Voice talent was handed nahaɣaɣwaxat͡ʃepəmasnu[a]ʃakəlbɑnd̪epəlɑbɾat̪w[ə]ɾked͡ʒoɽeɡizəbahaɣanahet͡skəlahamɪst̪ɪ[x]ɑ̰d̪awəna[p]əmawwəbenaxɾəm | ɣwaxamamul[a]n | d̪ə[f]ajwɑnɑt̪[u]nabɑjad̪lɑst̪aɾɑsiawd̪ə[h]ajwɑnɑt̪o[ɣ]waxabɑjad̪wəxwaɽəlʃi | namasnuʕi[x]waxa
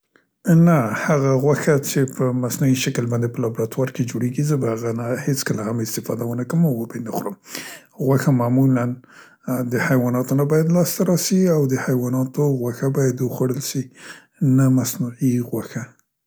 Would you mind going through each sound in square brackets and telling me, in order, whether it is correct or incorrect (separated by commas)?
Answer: incorrect, incorrect, incorrect, incorrect, correct, incorrect, incorrect, correct, correct, incorrect